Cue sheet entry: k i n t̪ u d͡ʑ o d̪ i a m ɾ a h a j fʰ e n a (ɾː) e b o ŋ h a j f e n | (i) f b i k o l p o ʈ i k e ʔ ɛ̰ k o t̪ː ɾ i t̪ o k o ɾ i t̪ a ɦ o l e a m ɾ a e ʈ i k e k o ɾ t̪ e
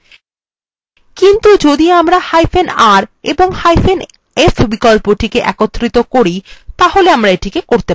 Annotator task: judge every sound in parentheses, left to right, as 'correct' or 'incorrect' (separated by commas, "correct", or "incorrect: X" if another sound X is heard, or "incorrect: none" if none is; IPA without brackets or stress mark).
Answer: incorrect: ɾ, incorrect: e